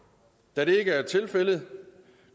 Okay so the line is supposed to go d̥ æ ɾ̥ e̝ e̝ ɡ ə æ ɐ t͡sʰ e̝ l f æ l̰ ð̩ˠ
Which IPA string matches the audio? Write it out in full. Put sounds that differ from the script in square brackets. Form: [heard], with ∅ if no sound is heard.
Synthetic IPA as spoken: d̥ æ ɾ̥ e̝ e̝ ɡ ə æ ɐ t͡sʰ e̝ l f [e] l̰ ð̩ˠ